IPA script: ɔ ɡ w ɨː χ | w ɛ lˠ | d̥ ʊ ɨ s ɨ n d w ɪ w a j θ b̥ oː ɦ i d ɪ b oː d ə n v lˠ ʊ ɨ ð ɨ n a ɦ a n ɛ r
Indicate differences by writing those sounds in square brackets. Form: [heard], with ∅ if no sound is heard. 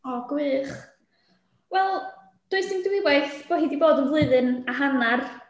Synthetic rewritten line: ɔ ɡ w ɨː χ | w ɛ lˠ | d̥ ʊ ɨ s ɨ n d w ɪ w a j θ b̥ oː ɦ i d [i] b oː d ə n v lˠ ʊ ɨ ð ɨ n a ɦ a n [a] r